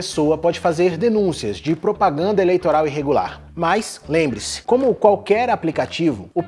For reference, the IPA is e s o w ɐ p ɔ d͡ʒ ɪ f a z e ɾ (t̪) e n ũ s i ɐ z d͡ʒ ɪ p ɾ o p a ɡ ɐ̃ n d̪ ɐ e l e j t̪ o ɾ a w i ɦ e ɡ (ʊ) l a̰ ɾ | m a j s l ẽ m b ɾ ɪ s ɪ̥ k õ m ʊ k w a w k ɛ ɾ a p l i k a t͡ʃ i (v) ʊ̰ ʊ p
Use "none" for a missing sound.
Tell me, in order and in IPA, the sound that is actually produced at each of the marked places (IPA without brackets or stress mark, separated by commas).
d̪, u, v